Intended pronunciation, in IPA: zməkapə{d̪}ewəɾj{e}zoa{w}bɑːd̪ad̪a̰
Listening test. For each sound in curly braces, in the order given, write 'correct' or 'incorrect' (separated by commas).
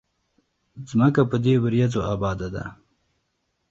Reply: correct, incorrect, incorrect